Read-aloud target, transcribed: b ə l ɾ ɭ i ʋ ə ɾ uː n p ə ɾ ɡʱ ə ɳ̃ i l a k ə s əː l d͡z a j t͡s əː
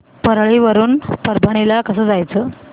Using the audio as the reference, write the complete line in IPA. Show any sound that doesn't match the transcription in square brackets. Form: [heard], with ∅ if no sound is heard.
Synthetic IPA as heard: [p] ə [∅] ɾ ɭ i ʋ ə ɾ uː n p ə ɾ [bʱ] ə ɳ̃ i l a k ə s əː [∅] d͡z a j t͡s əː